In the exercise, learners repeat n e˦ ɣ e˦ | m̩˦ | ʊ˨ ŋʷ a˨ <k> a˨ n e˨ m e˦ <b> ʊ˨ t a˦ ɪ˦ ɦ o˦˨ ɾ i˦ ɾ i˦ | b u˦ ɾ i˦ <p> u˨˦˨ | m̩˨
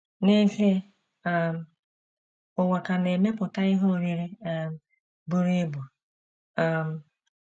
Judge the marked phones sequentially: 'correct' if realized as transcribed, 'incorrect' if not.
correct, incorrect, incorrect

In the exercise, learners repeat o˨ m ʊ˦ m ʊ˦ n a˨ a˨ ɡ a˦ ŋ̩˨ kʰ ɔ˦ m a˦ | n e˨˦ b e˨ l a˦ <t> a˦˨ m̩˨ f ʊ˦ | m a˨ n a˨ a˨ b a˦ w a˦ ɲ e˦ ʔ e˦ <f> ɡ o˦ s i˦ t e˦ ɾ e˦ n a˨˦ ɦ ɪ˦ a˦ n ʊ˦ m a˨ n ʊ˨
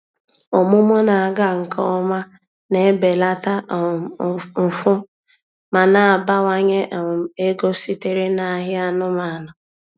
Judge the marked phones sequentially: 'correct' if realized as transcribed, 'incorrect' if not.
correct, incorrect

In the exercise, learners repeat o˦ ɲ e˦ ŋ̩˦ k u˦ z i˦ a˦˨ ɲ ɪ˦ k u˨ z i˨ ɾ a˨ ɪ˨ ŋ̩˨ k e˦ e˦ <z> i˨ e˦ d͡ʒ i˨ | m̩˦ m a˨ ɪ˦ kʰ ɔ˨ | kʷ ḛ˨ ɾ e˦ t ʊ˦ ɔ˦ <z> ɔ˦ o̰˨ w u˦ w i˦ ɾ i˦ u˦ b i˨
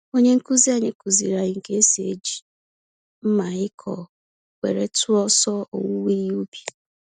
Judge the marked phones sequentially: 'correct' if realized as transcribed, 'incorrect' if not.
incorrect, incorrect

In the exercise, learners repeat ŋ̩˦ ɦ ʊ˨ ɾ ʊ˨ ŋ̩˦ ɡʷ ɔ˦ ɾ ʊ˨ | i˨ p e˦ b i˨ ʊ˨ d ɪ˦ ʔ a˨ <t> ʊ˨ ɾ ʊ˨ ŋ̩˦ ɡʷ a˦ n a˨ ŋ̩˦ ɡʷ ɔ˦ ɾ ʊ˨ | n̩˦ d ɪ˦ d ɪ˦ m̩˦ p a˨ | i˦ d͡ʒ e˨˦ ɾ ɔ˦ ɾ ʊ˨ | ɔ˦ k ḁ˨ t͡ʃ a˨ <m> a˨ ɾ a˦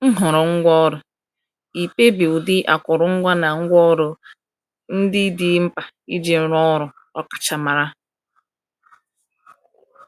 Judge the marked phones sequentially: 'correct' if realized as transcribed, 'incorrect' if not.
incorrect, correct

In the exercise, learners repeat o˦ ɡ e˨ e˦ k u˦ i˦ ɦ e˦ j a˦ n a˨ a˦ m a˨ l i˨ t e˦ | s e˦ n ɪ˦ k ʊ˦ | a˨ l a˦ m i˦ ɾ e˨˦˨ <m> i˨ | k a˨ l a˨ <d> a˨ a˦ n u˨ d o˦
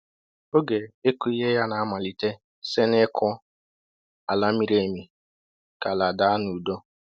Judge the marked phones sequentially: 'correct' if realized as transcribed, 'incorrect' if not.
correct, correct

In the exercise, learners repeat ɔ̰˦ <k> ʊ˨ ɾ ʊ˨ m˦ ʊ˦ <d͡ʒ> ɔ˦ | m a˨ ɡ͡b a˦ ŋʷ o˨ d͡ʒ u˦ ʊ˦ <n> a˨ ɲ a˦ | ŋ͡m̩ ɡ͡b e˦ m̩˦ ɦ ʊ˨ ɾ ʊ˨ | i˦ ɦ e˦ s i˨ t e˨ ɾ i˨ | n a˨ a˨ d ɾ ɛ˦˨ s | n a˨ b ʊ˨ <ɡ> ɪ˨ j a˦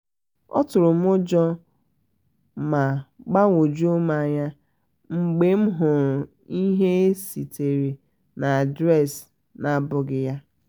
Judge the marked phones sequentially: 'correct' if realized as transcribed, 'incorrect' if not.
incorrect, correct, incorrect, correct

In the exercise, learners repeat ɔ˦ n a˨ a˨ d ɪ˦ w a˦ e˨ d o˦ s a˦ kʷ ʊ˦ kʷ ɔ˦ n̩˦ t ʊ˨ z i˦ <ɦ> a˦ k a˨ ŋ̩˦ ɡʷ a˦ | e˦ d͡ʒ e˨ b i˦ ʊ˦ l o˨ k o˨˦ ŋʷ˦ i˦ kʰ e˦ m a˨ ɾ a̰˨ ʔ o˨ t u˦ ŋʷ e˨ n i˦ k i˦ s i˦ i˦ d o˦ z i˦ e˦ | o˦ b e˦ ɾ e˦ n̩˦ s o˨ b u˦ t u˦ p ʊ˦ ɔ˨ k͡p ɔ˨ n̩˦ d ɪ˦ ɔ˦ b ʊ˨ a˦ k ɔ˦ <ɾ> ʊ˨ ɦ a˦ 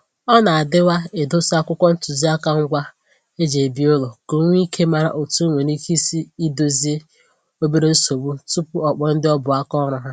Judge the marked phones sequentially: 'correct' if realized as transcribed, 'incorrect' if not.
incorrect, correct

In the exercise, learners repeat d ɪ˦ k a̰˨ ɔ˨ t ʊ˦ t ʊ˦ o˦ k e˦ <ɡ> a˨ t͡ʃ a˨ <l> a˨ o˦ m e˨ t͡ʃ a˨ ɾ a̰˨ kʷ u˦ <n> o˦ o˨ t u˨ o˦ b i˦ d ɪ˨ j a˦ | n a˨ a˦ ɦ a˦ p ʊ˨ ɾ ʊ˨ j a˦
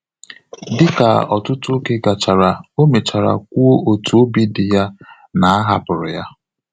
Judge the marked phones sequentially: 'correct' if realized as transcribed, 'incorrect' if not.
correct, incorrect, incorrect

